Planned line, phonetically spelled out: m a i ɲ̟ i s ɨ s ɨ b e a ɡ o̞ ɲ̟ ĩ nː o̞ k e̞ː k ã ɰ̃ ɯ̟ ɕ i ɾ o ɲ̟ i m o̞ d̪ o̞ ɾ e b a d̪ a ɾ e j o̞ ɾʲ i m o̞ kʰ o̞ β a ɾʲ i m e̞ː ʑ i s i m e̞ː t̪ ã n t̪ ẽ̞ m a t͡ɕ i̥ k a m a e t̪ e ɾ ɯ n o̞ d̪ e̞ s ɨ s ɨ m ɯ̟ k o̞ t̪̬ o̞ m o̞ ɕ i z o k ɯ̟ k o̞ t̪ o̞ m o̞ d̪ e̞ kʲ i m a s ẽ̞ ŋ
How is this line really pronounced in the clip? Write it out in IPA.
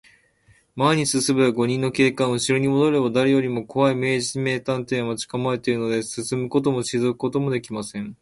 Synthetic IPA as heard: m a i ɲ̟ i s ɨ s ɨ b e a ɡ o̞ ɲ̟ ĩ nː o̞ k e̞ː k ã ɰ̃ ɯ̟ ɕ i ɾ o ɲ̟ i m o̞ d̪ o̞ ɾ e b a d̪ a ɾ e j o̞ ɾʲ i m o̞ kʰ o̞ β a i m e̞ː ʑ i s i m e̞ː t̪ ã n t̪ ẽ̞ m a t͡ɕ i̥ k a m a e t̪ e ɾ ɯ n o̞ d̪ e̞ s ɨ s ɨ m ɯ̟ k o̞ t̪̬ o̞ m o̞ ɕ i z o k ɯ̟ k o̞ t̪ o̞ m o̞ d̪ e̞ kʲ i m a s ẽ̞ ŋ